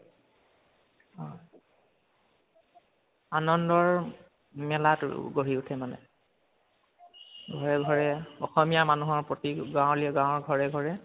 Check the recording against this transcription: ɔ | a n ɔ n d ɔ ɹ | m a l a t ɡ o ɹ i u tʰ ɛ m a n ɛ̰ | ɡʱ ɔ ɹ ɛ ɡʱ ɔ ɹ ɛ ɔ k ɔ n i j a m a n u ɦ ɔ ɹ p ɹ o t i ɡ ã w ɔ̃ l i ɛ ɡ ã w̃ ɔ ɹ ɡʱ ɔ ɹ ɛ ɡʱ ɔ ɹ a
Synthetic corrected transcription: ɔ | a n ɔ n d ɔ ɹ | m ɛ l a t ɡ o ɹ i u tʰ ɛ m a n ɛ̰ | ɡʱ ɔ ɹ ɛ ɡʱ ɔ ɹ ɛ ɔ x ɔ m i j a m a n u ɦ ɔ ɹ p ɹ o t i ɡ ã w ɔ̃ l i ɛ ɡ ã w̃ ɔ ɹ ɡʱ ɔ ɹ ɛ ɡʱ ɔ ɹ ɛ